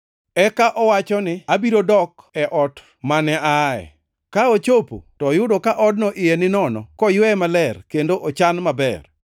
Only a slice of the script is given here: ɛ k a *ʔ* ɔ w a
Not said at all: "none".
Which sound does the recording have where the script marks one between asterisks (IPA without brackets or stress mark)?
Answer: ʔ